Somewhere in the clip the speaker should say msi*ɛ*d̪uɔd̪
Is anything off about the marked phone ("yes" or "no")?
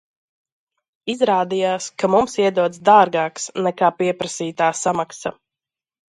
no